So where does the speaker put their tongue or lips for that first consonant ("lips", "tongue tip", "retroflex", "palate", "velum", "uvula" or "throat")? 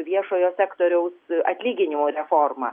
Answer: lips